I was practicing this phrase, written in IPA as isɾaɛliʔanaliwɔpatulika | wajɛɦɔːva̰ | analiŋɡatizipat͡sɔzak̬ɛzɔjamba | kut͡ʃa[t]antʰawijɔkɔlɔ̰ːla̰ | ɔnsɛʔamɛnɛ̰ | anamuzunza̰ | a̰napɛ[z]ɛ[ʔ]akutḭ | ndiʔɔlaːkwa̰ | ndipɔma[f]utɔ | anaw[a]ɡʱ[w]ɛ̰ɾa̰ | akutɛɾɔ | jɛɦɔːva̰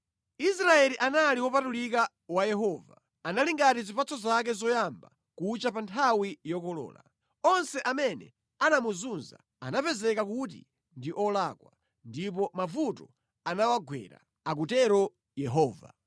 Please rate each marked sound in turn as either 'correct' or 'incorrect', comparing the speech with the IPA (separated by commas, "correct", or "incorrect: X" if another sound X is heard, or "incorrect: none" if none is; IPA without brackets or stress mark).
incorrect: p, correct, incorrect: k, incorrect: v, correct, correct